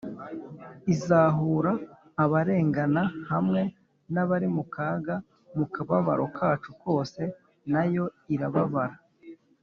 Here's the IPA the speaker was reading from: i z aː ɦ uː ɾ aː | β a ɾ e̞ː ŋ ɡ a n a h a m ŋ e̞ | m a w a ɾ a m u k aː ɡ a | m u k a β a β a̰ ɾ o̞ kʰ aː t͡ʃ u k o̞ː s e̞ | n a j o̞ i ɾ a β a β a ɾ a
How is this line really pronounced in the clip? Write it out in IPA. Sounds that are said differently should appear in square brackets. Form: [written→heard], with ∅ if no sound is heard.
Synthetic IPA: i z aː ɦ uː ɾ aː | β a ɾ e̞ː ŋ ɡ a n a h a m ŋ e̞ | [m→n] a [w→β] a ɾ [a→i] m u k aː ɡ a | m u k a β a β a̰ ɾ o̞ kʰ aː t͡ʃ u k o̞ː s e̞ | n a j o̞ i ɾ a β a β a ɾ a